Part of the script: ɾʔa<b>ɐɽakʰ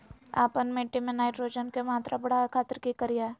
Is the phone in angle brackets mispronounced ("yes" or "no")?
no